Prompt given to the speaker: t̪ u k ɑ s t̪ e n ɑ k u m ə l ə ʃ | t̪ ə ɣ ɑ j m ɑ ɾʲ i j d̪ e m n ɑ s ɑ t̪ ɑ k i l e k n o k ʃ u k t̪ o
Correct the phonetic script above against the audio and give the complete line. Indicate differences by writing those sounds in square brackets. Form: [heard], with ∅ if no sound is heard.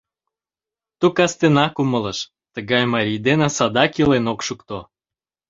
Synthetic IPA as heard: t̪ u k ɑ s t̪ e n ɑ k u m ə l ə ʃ | t̪ ə ɣ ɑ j m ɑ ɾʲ i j d̪ e [∅] n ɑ s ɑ [d̪] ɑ k i l e [∅] n o k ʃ u k t̪ o